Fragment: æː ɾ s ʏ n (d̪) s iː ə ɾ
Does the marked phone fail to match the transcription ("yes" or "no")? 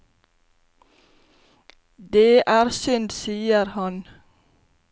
no